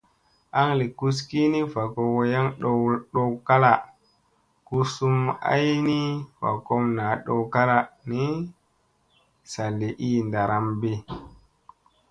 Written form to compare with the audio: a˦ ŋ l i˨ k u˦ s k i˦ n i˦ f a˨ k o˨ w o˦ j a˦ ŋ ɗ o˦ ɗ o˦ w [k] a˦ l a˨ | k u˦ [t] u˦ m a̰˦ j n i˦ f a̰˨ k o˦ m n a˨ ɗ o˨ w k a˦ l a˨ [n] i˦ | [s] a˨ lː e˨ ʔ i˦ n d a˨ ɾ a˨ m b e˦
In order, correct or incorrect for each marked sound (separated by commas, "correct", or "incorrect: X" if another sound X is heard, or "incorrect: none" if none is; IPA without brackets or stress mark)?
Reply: correct, incorrect: s, correct, correct